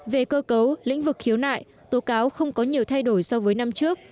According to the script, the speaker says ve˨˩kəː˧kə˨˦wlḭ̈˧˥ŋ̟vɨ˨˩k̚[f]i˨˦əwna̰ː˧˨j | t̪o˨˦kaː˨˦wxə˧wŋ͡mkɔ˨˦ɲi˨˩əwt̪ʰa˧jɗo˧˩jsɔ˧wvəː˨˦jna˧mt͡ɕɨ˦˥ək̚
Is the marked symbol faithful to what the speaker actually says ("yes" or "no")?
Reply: no